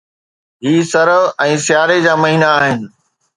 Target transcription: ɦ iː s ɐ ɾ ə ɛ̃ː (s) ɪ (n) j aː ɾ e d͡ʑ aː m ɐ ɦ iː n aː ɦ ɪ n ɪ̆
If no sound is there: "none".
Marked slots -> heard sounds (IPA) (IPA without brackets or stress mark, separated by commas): s, none